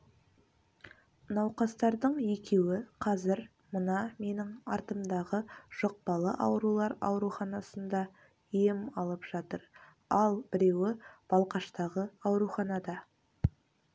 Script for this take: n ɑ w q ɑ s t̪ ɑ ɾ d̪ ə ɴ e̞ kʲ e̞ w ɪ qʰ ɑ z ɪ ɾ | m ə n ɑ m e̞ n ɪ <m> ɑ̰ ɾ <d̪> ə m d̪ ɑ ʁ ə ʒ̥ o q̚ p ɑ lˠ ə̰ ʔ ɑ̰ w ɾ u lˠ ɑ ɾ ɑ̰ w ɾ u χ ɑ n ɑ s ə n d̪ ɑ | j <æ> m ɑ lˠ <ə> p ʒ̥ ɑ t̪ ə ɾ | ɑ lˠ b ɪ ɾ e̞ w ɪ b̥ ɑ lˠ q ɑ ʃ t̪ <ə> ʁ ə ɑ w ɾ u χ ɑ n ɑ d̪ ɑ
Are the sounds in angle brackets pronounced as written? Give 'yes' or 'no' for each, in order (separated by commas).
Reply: no, no, no, yes, no